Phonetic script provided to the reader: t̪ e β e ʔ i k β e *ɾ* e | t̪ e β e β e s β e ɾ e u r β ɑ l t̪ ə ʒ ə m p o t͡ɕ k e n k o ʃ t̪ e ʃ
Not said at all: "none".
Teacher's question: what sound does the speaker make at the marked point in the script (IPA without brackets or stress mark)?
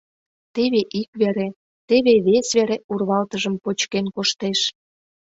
ɾ